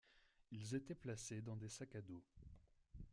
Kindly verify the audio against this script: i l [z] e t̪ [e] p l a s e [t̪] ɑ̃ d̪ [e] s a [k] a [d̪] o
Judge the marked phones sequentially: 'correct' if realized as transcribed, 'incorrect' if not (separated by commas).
correct, incorrect, incorrect, correct, correct, correct